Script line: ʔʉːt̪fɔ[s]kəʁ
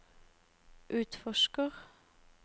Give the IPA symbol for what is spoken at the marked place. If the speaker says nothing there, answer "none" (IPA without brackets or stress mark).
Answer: ʃ